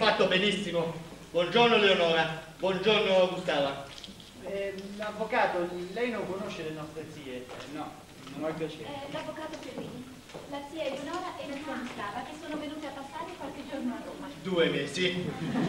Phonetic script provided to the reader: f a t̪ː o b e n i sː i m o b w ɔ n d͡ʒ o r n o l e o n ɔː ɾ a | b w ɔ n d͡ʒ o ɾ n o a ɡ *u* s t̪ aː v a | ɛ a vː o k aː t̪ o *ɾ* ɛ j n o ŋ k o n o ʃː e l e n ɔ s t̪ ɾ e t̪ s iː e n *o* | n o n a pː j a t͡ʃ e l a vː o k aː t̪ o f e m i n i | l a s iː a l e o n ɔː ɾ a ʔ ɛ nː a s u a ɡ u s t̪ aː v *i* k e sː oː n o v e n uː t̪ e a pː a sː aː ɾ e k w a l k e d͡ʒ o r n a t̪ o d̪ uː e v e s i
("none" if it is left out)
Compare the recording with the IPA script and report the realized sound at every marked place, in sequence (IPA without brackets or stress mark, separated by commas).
u, l, ɔ, a